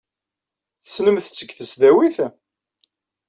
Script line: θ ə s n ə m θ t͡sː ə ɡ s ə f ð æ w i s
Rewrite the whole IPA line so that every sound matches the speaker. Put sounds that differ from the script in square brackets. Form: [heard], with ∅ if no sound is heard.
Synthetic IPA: θ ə s n ə m θ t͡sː ə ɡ [θ] ə [s] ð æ w i [θ]